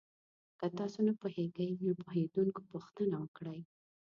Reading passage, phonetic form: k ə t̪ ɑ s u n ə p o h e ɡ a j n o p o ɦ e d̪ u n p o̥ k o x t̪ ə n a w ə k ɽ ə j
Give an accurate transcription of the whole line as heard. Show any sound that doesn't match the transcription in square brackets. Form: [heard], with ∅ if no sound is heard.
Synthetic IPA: k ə t̪ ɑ s [o] n [a] p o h e ɡ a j n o p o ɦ e d̪ u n [k] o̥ [p] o x t̪ ə n a w ə k ɽ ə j